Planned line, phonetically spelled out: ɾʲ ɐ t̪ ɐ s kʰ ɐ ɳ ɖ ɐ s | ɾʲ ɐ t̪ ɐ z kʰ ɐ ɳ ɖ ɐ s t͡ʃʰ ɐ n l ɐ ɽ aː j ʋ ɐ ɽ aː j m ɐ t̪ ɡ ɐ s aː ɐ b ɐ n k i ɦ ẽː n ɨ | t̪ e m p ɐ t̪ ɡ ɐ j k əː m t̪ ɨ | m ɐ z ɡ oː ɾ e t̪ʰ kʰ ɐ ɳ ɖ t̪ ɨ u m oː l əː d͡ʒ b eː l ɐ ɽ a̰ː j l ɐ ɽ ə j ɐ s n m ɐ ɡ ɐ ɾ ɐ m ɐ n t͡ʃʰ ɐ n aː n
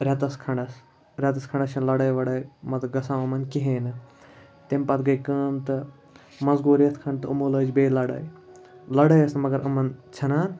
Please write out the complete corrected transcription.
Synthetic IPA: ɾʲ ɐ t̪ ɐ s kʰ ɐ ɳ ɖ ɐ s | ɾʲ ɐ t̪ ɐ s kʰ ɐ ɳ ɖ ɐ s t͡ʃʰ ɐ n l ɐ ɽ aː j ʋ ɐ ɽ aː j m ɐ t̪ ɡ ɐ s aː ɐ m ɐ n k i ɦ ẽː n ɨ | t̪ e m p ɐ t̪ ɡ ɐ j k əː m t̪ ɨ | m ɐ z ɡ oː ɾ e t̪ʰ kʰ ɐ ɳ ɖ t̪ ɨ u m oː l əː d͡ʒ b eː l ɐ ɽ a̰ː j l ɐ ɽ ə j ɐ s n m ɐ ɡ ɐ ɾ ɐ m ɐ n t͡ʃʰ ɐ n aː n